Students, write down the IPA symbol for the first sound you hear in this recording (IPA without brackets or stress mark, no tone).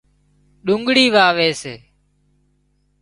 ɗ